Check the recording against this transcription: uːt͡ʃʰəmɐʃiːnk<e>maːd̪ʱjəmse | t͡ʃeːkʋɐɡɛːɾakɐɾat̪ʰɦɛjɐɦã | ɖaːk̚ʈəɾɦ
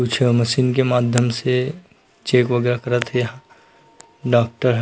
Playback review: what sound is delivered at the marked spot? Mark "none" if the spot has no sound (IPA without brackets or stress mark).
e